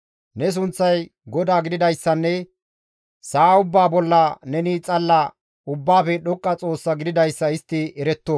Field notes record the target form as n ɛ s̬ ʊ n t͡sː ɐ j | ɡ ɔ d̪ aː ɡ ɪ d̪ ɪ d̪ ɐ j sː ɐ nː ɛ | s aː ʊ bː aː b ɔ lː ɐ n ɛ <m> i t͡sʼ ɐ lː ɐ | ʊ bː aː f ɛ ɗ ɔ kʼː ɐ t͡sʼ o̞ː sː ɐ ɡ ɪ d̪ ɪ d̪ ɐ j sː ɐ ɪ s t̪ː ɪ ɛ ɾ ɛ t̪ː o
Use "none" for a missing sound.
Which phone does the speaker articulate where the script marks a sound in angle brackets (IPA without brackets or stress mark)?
n